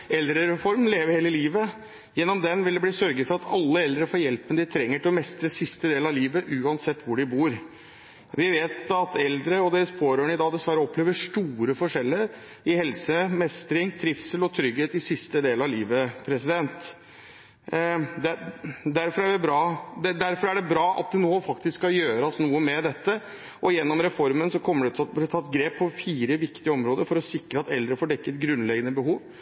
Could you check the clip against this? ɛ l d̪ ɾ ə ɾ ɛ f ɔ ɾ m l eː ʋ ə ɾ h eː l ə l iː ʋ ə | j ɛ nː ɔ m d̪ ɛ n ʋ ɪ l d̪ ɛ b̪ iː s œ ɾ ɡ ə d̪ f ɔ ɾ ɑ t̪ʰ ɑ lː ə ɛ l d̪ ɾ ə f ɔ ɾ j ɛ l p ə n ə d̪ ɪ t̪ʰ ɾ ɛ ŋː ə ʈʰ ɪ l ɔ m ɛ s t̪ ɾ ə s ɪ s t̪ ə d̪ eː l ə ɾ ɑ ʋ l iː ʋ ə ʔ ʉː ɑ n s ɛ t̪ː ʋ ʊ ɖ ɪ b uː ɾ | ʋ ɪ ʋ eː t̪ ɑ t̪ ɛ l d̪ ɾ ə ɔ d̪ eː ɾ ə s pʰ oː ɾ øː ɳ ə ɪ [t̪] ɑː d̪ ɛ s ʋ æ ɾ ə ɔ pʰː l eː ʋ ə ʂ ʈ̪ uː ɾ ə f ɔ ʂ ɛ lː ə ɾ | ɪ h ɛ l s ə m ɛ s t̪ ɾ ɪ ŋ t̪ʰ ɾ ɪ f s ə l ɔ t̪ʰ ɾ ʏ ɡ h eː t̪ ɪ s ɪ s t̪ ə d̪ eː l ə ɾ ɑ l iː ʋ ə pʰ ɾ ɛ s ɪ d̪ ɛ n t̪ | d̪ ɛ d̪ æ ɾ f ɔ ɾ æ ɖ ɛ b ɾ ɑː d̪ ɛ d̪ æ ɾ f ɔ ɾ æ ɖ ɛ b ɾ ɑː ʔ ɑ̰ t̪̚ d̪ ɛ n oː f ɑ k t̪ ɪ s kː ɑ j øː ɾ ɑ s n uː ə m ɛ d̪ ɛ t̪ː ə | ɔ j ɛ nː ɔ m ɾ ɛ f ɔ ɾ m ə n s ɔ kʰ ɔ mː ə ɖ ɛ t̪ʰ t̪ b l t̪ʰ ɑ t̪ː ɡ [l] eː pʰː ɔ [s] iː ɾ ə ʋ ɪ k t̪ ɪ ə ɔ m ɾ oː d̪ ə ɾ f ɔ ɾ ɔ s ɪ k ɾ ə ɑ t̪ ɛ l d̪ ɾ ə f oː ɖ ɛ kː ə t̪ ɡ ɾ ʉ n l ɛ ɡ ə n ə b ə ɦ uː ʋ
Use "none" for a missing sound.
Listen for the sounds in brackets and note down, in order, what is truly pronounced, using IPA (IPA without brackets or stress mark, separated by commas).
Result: d̪, ɾ, f